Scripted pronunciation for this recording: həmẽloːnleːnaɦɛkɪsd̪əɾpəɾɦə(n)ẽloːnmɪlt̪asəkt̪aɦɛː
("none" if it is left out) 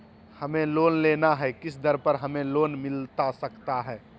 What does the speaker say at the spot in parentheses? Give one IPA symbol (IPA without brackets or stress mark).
m